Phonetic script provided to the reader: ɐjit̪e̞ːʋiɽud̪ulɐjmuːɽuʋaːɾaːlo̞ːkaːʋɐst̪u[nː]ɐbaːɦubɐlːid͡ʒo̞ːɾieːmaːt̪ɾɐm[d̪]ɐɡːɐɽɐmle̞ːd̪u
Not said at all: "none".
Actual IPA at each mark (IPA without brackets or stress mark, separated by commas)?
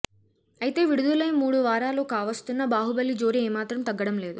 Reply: nː, t̪